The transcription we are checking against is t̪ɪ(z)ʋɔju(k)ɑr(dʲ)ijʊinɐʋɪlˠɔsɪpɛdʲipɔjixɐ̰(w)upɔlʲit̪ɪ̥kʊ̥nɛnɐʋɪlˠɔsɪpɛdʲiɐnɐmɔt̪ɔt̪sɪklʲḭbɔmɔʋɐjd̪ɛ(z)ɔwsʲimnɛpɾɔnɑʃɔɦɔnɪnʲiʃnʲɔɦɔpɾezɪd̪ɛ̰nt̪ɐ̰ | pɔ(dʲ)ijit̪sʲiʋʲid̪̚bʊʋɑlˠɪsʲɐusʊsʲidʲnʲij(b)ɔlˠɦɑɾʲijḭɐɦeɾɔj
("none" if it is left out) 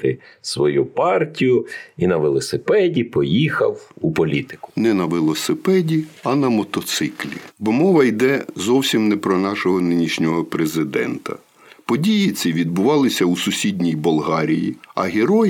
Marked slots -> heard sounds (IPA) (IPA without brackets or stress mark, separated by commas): s, p, tʲ, w, z, dʲ, b